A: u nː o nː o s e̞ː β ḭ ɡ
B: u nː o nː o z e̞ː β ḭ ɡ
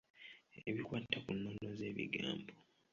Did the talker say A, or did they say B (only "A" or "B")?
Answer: B